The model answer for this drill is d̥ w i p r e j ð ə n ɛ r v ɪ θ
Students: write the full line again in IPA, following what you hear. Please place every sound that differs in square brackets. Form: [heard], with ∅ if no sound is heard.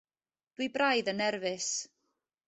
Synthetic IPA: d̥ w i [b] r [a] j ð ə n ɛ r v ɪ [s]